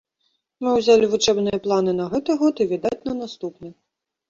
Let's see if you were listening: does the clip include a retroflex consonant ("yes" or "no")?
yes